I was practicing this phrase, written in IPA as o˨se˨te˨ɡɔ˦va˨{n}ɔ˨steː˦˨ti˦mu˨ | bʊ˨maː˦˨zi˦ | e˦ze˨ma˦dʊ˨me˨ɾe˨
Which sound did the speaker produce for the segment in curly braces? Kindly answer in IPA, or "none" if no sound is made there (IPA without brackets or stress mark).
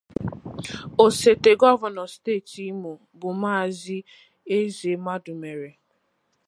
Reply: n